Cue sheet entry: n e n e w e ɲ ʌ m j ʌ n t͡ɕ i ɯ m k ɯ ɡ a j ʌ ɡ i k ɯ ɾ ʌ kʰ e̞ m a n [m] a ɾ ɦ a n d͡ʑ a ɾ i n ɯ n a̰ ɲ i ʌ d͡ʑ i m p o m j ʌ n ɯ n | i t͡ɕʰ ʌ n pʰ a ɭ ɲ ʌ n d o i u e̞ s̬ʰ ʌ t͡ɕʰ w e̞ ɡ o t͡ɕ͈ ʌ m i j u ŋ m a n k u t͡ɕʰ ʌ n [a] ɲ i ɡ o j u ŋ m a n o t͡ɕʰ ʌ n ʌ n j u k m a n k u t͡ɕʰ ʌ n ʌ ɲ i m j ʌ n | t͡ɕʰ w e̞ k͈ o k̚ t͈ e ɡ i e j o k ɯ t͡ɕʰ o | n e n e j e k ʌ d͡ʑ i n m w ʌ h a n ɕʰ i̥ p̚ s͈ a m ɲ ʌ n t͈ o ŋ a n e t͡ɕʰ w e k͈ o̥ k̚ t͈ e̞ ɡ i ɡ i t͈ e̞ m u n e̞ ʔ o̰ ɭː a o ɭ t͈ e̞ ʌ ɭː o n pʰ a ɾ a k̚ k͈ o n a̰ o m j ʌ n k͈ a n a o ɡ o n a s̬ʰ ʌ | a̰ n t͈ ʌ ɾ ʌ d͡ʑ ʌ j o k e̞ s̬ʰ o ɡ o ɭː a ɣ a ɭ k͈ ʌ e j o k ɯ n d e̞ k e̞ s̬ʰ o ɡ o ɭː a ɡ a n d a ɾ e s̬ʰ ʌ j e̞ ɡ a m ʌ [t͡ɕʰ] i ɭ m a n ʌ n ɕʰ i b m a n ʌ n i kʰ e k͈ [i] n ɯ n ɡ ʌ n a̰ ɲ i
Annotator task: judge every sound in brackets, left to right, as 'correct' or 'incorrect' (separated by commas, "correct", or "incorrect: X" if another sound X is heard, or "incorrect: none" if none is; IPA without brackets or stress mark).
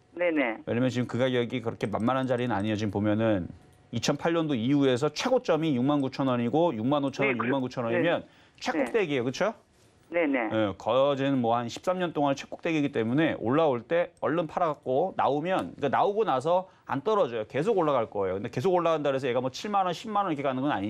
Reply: correct, incorrect: ʌ, correct, incorrect: a